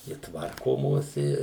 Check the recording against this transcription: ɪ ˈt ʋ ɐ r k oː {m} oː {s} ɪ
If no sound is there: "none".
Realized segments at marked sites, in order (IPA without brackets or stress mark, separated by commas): m, s